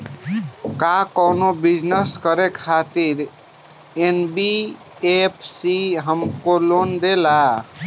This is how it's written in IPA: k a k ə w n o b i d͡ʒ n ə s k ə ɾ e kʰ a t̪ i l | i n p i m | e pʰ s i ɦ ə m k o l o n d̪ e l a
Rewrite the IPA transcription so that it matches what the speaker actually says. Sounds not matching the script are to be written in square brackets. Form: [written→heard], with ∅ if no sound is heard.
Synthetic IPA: k a k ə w n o b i d͡ʒ n ə s k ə ɾ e kʰ a t̪ i [l→ɾ] | [i→e] n [p→b] i [m→∅] | e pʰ s i ɦ ə m k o l o n d̪ e l a